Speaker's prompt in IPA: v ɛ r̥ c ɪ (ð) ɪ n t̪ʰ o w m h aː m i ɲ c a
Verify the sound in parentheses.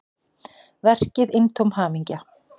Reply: correct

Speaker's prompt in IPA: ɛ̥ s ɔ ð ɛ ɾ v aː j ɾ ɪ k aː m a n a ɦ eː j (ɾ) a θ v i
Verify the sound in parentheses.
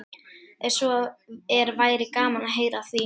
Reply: correct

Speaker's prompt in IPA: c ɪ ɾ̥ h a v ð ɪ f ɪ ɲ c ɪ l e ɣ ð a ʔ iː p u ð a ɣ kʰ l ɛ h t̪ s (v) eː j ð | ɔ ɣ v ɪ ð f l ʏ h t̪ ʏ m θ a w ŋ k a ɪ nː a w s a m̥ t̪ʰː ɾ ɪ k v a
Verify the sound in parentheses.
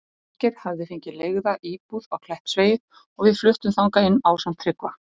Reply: correct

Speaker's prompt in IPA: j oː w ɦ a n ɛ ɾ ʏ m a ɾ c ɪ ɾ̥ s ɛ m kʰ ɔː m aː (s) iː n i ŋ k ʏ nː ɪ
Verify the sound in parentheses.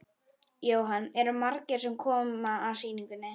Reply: correct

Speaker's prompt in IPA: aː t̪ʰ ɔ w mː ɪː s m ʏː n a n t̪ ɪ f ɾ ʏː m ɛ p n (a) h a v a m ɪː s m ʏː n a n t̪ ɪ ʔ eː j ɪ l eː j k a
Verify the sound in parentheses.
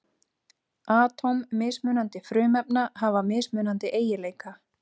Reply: correct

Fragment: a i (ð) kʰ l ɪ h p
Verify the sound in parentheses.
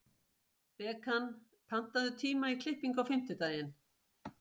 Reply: incorrect: none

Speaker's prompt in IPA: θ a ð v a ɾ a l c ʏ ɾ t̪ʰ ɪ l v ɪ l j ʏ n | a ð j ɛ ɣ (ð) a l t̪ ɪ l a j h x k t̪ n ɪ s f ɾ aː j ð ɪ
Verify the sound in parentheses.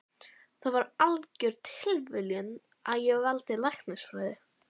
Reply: incorrect: v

